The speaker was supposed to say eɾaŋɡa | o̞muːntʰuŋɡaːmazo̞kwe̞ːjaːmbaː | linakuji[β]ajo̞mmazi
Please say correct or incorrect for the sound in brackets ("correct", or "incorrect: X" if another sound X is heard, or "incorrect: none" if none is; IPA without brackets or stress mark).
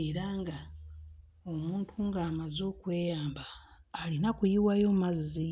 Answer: incorrect: w